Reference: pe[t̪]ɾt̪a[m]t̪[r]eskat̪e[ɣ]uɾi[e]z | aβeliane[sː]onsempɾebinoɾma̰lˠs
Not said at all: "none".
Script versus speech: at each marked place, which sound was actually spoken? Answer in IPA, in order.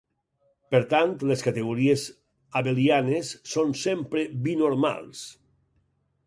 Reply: none, n, l, ɣ, e, sː

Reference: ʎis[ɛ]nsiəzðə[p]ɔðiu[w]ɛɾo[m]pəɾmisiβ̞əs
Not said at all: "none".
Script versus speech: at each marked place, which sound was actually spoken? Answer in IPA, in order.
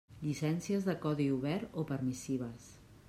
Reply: ɛ, k, β, none

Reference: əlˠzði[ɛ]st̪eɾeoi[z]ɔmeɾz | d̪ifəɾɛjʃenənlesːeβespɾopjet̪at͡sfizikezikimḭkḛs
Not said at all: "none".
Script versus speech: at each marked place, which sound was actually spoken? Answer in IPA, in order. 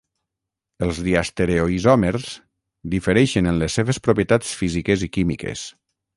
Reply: a, z

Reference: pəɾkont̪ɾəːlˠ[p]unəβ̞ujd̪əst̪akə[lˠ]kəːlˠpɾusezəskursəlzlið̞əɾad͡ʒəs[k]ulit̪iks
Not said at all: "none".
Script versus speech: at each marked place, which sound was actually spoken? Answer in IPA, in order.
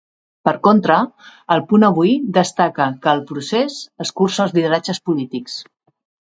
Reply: p, none, p

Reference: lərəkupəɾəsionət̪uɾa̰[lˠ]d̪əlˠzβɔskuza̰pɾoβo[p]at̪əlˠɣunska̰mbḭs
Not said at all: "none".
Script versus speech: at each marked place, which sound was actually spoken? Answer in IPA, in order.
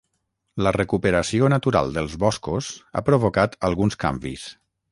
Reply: lˠ, k

